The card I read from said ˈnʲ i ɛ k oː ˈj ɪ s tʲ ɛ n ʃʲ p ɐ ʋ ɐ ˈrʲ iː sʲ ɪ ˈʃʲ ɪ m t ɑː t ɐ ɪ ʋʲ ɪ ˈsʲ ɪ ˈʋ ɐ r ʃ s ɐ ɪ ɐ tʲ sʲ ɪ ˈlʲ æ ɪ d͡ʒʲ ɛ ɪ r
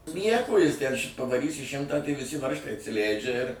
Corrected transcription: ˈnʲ i ɛ k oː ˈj ɪ s tʲ ɛ n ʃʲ p ɐ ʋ ɐ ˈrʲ iː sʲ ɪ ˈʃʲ ɪ m t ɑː t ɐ ɪ ʋʲ ɪ ˈsʲ ɪ ˈʋ ɐ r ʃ t ɐ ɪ ɐ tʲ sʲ ɪ ˈlʲ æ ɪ d͡ʒʲ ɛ ɪ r